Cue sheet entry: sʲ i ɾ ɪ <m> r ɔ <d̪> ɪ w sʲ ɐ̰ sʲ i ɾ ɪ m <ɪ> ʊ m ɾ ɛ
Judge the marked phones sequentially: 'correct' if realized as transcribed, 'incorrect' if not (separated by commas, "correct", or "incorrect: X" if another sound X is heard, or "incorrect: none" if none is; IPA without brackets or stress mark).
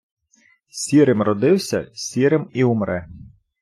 correct, correct, incorrect: i